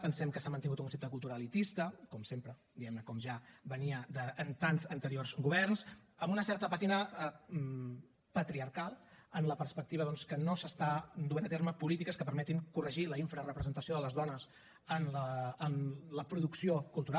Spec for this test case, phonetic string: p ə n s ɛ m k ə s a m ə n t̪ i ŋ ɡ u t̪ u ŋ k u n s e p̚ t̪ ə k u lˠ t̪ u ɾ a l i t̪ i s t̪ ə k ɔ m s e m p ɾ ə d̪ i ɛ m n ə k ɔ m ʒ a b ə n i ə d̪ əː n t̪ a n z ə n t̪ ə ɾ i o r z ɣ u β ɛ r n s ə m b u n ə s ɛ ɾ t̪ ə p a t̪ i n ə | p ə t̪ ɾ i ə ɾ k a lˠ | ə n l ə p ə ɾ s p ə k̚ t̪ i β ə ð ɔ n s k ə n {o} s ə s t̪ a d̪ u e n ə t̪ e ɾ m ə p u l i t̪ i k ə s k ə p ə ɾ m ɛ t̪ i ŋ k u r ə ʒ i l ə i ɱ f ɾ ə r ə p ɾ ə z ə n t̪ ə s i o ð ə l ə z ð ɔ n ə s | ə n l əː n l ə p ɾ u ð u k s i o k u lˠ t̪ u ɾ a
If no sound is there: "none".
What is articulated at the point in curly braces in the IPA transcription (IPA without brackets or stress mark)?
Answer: o